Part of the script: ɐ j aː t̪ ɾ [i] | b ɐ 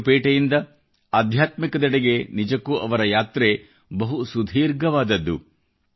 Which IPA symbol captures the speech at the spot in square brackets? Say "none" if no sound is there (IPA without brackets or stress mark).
e